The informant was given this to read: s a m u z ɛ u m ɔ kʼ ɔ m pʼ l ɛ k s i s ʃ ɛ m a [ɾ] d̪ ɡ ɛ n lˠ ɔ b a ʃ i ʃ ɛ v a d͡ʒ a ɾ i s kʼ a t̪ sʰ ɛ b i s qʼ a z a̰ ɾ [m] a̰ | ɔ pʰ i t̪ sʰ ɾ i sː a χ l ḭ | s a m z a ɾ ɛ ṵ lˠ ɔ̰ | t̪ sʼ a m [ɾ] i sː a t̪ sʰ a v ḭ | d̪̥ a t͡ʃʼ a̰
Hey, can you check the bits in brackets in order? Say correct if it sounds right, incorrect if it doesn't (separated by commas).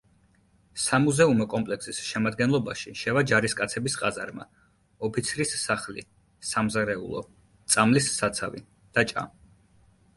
incorrect, correct, incorrect